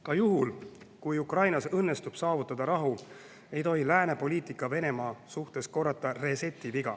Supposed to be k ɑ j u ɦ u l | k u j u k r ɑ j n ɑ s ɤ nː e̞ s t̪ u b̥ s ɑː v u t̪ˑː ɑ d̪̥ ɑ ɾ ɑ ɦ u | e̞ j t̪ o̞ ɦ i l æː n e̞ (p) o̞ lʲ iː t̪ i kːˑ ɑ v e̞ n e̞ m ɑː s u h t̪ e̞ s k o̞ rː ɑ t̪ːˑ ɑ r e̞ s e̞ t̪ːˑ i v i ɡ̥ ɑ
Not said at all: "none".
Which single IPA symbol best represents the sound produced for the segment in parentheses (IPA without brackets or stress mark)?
p